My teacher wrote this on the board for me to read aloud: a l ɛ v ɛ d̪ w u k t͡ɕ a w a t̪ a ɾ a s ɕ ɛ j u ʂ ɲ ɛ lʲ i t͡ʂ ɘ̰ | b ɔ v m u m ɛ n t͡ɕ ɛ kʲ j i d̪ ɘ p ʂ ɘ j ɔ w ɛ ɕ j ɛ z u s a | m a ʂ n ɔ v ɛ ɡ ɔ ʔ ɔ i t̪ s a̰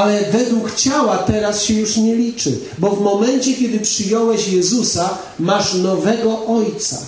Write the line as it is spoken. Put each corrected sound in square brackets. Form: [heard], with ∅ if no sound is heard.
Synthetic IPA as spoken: a l ɛ v ɛ d̪ w u k t͡ɕ a w a t̪ [ɛ] ɾ a s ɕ ɛ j u ʂ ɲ ɛ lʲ i t͡ʂ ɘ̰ | b ɔ v m [ɔ] m ɛ n t͡ɕ ɛ kʲ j [ɛ] d̪ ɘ p ʂ ɘ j ɔ w ɛ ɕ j ɛ z u s a | m a ʂ n ɔ v ɛ ɡ ɔ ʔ ɔ [j] t̪ s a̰